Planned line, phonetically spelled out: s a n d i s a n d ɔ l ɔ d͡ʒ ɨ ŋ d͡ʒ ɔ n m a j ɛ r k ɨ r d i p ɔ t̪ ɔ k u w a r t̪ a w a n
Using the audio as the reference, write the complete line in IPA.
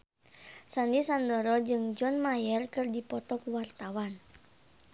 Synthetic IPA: s a n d i s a n d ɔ ɾ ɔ d͡ʒ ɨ ŋ d͡ʒ ɔ n m a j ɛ r k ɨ r d i p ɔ t̪ ɔ k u w a r t̪ a w a n